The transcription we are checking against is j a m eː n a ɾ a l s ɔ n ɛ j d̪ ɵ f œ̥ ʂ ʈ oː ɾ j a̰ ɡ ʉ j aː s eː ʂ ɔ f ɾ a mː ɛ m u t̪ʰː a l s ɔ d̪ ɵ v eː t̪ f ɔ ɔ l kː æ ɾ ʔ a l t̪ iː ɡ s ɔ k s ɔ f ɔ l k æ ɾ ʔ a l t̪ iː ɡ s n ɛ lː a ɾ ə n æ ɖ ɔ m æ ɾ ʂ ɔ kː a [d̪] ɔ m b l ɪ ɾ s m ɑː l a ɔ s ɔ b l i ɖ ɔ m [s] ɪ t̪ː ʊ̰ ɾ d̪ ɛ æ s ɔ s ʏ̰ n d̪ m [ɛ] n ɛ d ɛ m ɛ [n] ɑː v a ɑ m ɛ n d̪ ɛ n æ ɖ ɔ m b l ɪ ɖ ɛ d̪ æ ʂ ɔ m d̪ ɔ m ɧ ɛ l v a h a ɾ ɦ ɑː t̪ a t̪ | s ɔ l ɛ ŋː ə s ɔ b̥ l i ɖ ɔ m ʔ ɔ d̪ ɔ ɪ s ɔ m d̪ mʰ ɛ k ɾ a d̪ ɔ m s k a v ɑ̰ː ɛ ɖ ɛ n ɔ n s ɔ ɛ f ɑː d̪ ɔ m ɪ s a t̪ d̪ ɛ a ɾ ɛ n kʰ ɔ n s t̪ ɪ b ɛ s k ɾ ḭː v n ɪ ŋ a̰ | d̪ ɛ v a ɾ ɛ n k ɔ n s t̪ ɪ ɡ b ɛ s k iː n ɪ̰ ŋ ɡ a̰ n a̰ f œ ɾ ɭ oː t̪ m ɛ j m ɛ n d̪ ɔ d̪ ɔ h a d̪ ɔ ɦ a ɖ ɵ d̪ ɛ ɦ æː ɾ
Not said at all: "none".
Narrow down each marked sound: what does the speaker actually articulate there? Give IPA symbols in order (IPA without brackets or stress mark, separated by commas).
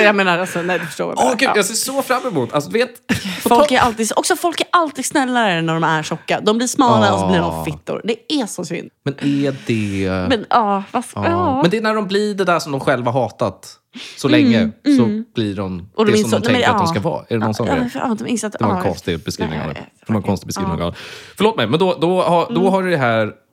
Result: d̪, f, ɛ, n